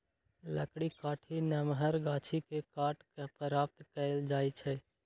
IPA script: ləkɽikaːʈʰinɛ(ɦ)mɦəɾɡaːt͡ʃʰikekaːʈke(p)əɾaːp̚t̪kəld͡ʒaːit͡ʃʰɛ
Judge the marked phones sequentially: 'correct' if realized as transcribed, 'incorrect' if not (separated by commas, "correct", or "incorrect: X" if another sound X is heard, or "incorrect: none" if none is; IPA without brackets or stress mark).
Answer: incorrect: none, correct